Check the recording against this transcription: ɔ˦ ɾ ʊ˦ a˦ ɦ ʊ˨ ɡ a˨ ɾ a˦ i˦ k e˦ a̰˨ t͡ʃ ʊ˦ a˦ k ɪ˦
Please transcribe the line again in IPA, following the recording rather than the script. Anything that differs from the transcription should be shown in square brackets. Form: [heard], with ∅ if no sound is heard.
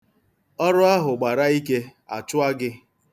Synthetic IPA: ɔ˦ ɾ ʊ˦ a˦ ɦ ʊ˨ [ɡ͡b] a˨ ɾ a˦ i˦ k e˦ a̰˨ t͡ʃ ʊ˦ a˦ [ɡ] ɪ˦